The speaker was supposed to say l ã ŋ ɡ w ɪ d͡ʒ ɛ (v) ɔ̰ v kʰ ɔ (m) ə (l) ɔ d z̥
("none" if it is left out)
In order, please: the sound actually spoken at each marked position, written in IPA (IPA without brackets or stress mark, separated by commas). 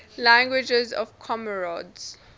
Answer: z, m, ɹ